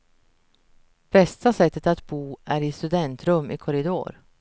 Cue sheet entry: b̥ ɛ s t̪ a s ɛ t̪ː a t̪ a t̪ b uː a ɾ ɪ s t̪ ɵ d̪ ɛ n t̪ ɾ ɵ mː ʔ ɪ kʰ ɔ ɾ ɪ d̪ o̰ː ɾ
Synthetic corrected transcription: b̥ ɛ s t̪ a s ɛ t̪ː ə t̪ a t̪ b uː æ ɾ ɪ s t̪ ɵ d̪ ɛ n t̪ ɾ ɵ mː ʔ ɪ kʰ ɔ ɾ ɪ d̪ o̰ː ɾ